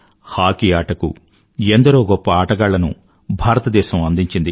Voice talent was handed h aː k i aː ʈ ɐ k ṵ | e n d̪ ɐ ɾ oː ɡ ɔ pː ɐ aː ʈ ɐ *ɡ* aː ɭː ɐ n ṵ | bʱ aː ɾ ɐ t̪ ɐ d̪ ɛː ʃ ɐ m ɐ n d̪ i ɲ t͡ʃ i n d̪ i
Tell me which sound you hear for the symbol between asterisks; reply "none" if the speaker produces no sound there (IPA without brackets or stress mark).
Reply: ɡ